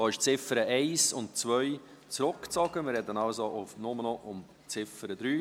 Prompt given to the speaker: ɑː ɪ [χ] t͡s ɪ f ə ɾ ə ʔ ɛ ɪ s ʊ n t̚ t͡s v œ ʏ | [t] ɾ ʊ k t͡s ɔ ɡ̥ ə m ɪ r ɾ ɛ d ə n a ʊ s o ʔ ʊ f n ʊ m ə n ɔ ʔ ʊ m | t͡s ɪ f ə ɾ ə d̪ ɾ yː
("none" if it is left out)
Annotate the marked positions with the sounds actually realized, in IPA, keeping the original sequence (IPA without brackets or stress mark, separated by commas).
ʃ, t͡s